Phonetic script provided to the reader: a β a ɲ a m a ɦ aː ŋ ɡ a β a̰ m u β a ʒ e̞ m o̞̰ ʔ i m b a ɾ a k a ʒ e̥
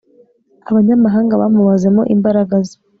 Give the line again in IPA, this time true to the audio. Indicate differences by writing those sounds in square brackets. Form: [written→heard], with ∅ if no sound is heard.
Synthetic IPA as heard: a β a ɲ a m a ɦ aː ŋ ɡ a β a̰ m u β a [ʒ→z] e̞ m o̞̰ ʔ i m b a ɾ a [k→ɡ] a [ʒ→z] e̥